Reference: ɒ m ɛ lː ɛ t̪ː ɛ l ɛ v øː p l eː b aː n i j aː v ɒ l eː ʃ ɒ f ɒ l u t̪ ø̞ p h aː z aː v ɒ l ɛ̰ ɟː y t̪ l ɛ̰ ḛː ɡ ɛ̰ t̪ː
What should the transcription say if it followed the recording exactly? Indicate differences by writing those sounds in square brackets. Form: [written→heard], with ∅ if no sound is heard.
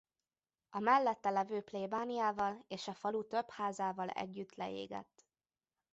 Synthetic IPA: ɒ m ɛ lː ɛ t̪ː ɛ l ɛ v øː p l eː b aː n i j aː v ɒ l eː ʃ ɒ f ɒ l u t̪ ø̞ p h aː z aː v ɒ l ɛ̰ ɟː y t̪ l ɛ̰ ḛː ɡ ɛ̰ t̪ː